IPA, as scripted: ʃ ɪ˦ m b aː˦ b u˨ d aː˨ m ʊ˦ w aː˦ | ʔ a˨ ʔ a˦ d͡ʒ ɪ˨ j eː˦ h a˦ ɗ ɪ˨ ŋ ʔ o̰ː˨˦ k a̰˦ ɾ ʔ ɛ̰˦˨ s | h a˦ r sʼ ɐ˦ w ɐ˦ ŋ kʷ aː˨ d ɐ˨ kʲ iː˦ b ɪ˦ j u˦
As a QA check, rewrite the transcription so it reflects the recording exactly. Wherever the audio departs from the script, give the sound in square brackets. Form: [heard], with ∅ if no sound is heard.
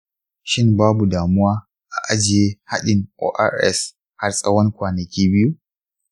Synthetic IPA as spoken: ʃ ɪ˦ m b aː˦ b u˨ d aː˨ m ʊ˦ w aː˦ | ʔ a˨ ʔ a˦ d͡ʒ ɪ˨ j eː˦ h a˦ ɗ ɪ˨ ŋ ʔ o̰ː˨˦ [ʔ] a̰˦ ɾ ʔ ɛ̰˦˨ s | h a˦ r sʼ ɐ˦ w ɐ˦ ŋ kʷ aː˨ [n] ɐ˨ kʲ iː˦ b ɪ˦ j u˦

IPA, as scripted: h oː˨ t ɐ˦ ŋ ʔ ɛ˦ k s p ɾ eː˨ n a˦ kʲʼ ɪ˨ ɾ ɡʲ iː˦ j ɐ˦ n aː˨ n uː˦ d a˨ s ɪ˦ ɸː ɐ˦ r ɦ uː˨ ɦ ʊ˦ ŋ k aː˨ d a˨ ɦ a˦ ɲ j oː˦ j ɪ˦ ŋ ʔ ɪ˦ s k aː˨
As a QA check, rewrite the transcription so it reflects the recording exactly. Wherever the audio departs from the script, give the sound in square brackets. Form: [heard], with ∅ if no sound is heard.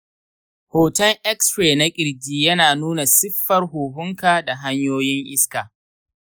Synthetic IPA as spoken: h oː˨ t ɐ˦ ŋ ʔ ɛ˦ k s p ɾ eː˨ n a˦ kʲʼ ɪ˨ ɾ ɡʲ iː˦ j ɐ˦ n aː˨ n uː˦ [n] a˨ s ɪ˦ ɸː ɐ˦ r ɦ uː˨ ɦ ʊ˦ ŋ k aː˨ d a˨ ɦ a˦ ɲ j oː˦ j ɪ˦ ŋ ʔ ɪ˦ s k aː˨

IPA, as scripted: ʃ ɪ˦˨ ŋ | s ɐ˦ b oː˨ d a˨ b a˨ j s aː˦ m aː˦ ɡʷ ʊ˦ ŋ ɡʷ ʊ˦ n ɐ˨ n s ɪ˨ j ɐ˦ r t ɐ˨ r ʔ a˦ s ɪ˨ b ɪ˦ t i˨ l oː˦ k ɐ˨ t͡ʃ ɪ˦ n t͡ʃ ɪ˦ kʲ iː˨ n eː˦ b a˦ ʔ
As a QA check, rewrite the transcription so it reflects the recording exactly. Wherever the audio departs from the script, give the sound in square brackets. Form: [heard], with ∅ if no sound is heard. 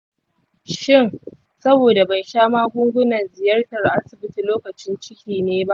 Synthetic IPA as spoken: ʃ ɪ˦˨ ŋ | s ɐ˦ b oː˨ d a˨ b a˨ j [ʃ] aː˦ m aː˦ ɡʷ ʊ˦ ŋ ɡʷ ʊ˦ n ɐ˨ n [z] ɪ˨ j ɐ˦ r t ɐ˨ r ʔ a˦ s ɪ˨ b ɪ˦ t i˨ l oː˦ k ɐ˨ t͡ʃ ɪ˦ n t͡ʃ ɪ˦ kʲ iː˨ n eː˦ b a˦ ʔ

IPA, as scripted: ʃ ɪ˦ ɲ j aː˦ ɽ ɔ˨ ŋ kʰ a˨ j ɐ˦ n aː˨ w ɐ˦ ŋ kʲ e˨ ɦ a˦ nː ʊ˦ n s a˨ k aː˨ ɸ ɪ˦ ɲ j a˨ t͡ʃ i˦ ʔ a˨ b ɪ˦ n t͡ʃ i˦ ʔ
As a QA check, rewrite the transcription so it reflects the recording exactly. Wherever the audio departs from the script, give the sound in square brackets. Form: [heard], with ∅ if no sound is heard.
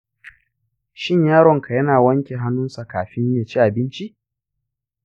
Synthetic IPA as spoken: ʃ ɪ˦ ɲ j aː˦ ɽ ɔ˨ ŋ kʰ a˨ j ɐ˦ n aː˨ w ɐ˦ ŋ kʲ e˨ ɦ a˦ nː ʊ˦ n s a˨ k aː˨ ɸ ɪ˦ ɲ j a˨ t͡ʃ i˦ ʔ a˨ b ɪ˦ n t͡ʃ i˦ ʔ

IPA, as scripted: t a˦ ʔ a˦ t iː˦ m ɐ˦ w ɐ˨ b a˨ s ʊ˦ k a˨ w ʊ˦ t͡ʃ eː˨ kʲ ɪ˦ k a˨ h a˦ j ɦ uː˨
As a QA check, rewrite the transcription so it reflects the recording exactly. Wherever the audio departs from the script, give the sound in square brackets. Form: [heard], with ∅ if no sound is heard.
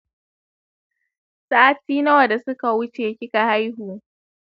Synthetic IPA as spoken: [s] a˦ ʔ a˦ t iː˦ [n] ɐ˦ w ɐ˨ [d] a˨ s ʊ˦ k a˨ w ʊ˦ t͡ʃ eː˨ kʲ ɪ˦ k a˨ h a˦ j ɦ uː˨

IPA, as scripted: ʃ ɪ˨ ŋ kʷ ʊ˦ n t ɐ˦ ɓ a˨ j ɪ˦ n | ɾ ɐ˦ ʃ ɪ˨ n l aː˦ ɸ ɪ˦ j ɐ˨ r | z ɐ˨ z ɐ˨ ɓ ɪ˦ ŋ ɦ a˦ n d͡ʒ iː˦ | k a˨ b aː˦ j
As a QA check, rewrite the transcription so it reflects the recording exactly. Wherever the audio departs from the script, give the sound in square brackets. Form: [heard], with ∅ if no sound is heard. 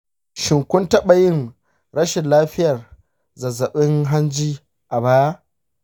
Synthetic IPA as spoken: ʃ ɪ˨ ŋ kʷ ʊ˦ n t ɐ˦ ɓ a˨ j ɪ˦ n | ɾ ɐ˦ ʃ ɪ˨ n l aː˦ ɸ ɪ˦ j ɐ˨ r | z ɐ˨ z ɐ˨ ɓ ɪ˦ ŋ ɦ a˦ n d͡ʒ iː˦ | [ʔ] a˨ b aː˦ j

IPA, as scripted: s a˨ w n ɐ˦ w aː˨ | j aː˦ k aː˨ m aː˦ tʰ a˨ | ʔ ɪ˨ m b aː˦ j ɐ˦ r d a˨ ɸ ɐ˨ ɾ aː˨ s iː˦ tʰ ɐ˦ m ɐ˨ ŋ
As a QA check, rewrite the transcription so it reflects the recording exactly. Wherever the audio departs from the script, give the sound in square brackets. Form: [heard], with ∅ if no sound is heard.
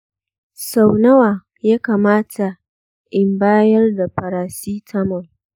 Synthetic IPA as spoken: s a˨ w n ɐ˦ w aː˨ | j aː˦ k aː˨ m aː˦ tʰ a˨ | ʔ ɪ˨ m b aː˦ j ɐ˦ r d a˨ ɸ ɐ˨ ɾ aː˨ s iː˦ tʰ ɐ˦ m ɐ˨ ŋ

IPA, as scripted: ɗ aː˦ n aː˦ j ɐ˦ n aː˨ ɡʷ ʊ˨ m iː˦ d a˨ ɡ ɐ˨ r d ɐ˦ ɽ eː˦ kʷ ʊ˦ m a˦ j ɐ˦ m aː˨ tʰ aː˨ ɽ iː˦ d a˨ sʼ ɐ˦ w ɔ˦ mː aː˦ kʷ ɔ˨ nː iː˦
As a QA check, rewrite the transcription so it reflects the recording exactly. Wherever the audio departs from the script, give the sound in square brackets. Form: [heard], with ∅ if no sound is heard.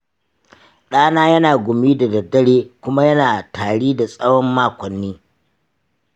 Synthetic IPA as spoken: ɗ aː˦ n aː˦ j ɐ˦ n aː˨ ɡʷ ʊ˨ m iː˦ d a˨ [d] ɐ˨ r d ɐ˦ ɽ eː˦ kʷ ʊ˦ m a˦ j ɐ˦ [n] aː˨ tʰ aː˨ ɽ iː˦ d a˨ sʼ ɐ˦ w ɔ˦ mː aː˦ kʷ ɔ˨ nː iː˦

